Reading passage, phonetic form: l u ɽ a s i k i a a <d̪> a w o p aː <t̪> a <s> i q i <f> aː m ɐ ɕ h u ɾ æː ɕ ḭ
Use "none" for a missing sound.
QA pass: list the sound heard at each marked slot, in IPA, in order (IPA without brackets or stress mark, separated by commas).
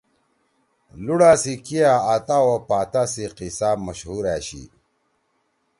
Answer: t̪, t̪, s, s